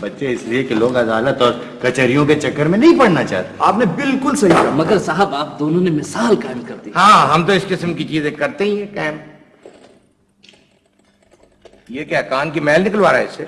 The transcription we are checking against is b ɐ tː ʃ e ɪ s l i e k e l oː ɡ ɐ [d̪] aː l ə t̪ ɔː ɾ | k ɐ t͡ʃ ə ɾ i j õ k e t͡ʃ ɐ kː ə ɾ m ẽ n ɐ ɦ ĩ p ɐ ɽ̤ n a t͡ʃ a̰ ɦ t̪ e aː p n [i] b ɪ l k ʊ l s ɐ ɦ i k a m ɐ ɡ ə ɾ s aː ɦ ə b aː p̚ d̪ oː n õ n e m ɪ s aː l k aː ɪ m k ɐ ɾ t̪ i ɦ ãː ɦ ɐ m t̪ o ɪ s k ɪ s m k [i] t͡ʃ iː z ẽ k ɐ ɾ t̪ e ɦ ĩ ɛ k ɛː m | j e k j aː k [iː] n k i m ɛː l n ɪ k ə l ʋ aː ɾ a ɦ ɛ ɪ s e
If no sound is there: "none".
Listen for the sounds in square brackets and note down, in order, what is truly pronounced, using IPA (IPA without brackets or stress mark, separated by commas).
d̪, e, i, aː